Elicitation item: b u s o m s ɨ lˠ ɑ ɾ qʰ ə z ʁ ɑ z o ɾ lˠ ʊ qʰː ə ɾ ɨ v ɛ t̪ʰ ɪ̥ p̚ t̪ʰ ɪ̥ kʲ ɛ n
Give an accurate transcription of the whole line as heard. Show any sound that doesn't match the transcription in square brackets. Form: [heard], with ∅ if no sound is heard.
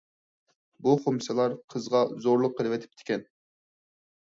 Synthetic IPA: b u [χ] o m s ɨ lˠ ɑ ɾ qʰ ə z ʁ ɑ z o ɾ lˠ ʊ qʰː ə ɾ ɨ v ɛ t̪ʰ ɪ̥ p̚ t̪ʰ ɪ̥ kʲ ɛ n